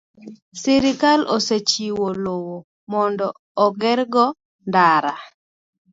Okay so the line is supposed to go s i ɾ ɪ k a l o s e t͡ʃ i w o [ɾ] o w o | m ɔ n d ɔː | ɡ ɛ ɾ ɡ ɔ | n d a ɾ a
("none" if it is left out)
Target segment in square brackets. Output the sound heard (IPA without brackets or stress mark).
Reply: l